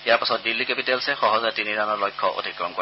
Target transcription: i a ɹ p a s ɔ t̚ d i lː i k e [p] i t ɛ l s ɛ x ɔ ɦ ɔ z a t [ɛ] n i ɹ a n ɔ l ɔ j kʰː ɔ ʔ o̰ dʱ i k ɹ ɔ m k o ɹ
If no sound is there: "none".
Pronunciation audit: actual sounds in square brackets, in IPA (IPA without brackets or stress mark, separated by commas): p, i